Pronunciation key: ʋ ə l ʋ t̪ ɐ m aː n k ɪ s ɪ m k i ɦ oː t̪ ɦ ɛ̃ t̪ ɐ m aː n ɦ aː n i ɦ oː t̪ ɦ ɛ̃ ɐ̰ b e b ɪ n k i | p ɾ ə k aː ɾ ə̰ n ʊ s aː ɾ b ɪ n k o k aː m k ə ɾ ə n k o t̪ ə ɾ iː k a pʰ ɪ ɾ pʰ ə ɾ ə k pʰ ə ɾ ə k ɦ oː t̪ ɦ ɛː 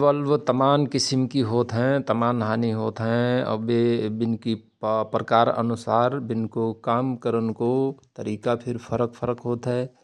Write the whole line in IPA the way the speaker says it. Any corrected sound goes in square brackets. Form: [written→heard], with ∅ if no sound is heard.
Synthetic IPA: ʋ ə l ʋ t̪ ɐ m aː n k ɪ s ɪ m k i ɦ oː t̪ ɦ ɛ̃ t̪ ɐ m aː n ɦ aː n i ɦ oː t̪ ɦ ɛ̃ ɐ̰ b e b ɪ n k i | p ɾ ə k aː ɾ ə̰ n ʊ s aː ɾ b ɪ n k o k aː m k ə ɾ ə n k o t̪ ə ɾ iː k a pʰ ɪ ɾ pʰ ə ɾ ə k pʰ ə ɾ ə k ɦ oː t̪ ɦ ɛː